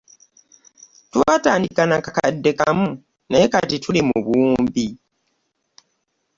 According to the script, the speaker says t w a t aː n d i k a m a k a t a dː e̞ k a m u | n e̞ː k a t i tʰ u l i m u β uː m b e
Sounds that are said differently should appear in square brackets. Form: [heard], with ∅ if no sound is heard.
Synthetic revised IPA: t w a t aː n d i k a [n] a k a [k] a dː e̞ k a m u | n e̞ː k a t i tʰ u l i m u β uː m b [i]